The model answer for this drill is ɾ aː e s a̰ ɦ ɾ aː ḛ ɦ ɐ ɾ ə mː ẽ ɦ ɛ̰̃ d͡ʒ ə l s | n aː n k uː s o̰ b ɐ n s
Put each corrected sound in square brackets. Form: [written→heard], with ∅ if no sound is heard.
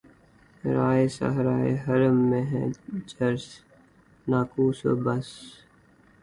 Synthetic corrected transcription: ɾ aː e s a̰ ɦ ɾ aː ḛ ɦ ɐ ɾ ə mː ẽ ɦ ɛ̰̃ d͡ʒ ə [l→ɾ] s | n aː [n→∅] k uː s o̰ b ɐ [n→∅] s